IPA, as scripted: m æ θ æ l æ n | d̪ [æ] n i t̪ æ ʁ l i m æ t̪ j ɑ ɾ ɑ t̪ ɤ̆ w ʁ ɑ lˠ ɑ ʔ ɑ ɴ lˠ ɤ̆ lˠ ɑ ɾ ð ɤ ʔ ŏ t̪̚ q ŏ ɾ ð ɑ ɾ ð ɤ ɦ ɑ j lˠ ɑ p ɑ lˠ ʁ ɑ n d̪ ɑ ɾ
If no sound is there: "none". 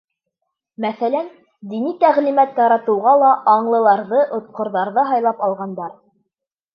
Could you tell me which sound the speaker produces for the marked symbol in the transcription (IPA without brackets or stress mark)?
i